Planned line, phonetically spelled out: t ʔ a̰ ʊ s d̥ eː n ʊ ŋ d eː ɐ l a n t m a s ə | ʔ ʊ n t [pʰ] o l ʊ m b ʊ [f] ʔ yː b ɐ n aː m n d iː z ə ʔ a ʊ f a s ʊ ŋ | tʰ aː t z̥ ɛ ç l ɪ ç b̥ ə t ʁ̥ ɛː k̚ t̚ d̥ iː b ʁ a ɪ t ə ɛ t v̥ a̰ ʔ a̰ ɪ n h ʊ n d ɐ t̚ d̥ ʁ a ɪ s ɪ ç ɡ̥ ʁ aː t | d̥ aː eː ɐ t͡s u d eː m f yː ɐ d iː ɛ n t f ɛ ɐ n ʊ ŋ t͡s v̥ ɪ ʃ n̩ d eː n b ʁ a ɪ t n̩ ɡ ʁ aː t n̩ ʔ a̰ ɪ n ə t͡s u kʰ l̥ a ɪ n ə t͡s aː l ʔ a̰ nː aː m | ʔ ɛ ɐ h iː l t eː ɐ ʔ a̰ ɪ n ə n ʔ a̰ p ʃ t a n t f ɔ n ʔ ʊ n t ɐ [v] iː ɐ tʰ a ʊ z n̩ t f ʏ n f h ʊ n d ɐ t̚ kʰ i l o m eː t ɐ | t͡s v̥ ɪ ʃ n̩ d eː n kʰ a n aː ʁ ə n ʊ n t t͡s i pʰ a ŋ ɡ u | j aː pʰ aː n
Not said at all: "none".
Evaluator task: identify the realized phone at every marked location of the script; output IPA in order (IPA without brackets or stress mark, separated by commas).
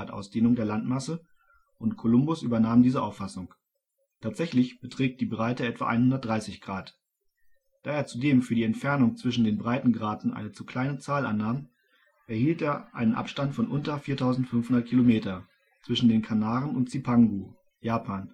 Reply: kʰ, s, f